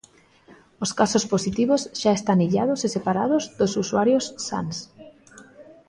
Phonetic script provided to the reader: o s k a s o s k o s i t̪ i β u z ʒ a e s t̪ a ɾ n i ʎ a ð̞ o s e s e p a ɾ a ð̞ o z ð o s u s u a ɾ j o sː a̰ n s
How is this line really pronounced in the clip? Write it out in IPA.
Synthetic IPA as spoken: o s k a s o s p o s i t̪ i β o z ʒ a e s t̪ a n i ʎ a ð̞ o s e s e p a ɾ a ð̞ o z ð o s u s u a ɾ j o sː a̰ n s